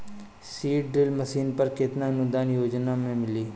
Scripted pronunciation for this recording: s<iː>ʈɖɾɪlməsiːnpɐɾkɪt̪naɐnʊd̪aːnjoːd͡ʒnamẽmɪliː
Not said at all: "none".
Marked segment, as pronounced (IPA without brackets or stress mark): iː